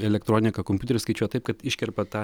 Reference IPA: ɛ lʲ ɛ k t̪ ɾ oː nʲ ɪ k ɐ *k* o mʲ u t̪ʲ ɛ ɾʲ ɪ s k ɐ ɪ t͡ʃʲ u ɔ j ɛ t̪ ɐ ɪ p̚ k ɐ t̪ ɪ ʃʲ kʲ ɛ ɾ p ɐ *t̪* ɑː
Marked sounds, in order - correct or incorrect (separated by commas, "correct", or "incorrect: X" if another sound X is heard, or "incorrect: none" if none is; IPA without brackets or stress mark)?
correct, correct